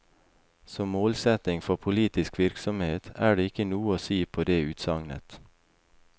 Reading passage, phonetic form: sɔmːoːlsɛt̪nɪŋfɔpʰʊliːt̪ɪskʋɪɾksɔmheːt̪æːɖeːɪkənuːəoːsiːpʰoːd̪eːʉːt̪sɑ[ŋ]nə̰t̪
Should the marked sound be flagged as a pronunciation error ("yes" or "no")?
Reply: no